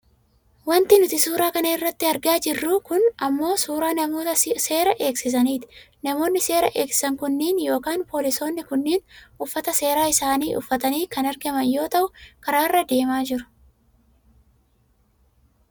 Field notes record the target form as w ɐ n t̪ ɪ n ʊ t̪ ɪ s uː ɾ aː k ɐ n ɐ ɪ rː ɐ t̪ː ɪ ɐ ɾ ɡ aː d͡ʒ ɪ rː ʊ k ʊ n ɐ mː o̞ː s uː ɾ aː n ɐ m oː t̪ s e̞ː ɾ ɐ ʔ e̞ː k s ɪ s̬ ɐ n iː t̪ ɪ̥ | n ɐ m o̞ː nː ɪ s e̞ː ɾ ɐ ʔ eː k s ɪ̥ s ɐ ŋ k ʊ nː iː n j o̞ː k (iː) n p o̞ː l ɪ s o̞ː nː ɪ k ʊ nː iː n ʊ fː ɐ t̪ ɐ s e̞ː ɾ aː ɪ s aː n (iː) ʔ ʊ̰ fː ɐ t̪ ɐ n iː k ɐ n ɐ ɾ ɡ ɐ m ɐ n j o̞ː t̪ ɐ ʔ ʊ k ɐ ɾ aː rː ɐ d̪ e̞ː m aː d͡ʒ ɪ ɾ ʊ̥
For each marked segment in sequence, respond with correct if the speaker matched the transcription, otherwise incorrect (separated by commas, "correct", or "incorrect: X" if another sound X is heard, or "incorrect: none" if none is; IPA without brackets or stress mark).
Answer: incorrect: aː, correct